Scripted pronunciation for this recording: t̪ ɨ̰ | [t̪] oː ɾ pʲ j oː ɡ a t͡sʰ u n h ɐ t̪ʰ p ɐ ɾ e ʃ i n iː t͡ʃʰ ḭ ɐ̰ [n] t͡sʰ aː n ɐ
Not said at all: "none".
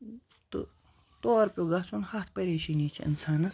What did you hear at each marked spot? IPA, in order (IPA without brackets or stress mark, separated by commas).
t̪, n